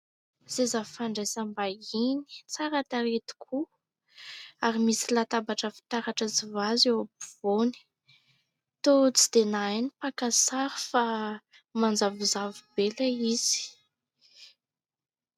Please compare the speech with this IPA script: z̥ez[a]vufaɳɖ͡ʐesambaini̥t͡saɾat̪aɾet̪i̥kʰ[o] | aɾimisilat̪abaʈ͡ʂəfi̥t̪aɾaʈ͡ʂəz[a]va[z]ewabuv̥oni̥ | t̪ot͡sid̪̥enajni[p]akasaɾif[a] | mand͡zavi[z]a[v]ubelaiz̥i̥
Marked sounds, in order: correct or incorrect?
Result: correct, incorrect, incorrect, correct, correct, correct, correct, correct

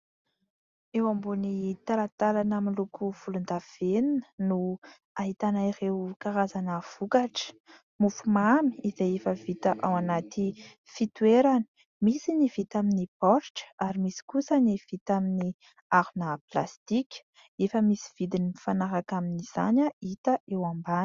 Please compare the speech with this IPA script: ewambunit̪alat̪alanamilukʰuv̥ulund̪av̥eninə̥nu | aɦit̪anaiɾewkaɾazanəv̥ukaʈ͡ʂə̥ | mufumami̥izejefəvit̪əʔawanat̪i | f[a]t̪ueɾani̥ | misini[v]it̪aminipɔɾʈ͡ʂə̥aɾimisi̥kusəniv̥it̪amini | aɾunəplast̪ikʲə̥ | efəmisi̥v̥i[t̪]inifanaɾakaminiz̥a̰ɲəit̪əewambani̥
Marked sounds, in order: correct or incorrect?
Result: incorrect, correct, incorrect

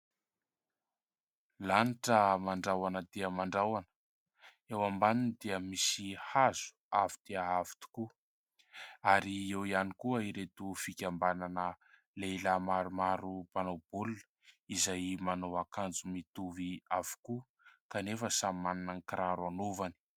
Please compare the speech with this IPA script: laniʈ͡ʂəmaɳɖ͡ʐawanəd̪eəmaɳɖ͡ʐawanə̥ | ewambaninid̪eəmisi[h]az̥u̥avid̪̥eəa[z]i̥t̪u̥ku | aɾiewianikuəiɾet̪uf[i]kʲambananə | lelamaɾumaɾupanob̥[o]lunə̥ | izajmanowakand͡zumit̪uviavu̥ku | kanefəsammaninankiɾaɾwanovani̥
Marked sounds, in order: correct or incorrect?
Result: correct, incorrect, correct, incorrect

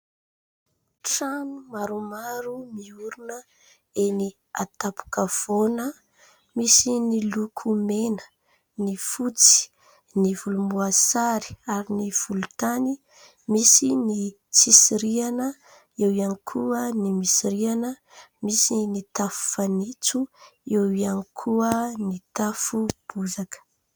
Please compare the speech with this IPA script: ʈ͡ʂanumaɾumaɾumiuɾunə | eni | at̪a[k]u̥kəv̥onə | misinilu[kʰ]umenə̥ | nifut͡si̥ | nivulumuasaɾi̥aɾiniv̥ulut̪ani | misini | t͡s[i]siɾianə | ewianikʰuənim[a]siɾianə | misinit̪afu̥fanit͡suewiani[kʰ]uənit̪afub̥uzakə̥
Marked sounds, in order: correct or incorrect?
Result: incorrect, correct, correct, incorrect, correct

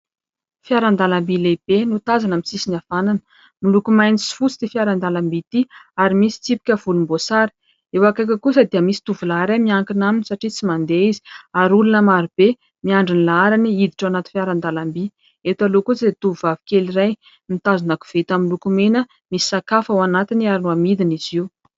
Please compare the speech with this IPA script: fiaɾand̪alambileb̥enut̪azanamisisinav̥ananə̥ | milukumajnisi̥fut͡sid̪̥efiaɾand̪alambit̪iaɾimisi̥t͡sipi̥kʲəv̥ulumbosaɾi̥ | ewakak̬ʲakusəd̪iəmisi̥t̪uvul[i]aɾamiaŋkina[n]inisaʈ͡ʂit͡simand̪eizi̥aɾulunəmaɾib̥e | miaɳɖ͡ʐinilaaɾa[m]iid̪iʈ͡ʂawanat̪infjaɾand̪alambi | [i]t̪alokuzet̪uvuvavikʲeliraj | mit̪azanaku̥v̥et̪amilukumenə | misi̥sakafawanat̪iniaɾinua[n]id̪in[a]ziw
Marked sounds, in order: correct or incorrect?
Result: incorrect, incorrect, incorrect, incorrect, incorrect, incorrect

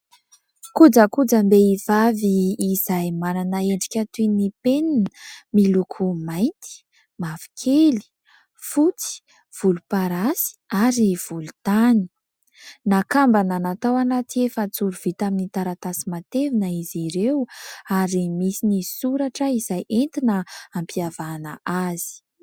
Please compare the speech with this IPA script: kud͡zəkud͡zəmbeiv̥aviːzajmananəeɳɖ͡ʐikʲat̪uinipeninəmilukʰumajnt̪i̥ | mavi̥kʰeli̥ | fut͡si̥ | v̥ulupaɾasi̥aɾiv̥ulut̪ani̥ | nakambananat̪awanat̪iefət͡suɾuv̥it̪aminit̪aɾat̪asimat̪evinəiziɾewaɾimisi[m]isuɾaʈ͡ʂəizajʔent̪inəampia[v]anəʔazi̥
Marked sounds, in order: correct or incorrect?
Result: incorrect, correct

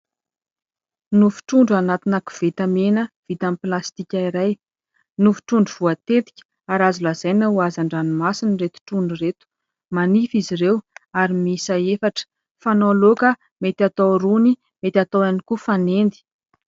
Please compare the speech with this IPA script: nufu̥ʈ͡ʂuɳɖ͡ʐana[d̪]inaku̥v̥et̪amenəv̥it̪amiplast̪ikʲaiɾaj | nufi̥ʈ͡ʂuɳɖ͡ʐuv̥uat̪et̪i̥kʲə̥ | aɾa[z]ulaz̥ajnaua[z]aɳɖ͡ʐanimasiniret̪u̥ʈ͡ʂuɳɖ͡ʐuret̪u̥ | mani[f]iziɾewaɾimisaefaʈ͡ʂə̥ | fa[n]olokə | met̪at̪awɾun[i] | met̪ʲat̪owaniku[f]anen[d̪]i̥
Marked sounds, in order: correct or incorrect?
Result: incorrect, correct, correct, correct, correct, correct, correct, correct

